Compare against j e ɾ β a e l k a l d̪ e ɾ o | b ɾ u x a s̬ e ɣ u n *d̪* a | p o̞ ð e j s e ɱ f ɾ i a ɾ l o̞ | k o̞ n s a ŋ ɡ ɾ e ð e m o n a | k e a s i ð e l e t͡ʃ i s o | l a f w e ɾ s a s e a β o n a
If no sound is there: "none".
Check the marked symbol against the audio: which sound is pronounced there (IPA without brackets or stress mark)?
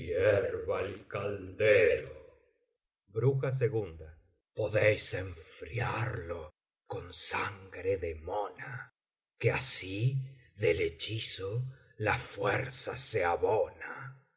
d̪